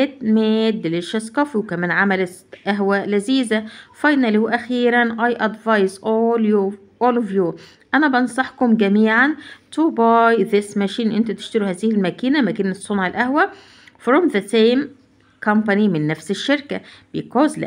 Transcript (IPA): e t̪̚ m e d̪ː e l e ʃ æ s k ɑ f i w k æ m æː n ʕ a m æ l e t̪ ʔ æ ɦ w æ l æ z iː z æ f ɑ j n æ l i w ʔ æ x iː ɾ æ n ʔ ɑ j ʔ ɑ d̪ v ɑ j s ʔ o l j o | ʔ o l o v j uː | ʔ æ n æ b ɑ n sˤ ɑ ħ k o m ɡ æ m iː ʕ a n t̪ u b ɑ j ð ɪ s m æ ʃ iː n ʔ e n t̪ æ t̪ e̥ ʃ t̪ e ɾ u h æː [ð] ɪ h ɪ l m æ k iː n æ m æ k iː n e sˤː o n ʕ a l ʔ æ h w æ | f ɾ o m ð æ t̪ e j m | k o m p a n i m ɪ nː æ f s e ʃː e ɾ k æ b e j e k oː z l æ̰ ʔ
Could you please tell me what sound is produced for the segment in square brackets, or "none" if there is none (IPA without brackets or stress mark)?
z